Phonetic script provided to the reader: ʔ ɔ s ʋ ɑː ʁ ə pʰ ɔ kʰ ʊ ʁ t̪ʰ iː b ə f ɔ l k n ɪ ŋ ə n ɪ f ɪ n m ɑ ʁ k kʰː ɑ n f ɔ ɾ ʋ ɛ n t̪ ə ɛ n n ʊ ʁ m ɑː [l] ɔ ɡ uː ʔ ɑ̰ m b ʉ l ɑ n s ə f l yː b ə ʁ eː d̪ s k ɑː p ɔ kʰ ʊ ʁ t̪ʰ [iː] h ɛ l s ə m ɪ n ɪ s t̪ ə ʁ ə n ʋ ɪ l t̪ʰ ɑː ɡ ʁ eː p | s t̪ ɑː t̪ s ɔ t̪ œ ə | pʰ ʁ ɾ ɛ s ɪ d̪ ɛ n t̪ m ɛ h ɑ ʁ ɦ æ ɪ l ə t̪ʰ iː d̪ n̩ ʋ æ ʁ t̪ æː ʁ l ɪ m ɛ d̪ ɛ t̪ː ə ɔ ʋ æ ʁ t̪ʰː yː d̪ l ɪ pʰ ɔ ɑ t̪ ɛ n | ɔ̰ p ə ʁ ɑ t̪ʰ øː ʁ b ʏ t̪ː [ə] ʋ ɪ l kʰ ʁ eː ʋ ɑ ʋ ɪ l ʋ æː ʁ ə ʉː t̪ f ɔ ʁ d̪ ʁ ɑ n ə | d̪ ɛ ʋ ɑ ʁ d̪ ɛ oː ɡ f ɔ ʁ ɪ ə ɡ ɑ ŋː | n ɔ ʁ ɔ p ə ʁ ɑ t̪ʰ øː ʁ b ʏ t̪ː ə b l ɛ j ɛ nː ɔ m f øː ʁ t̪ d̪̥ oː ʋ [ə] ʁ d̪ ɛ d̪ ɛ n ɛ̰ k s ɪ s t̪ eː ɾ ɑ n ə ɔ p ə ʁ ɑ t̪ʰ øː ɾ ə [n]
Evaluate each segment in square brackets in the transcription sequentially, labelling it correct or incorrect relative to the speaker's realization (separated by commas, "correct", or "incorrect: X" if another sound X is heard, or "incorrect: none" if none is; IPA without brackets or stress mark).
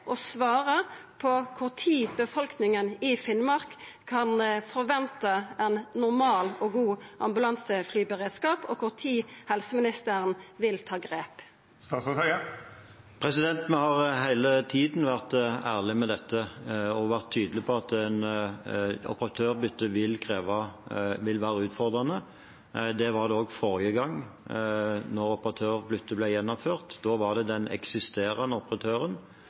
correct, correct, correct, incorrect: ɑ, correct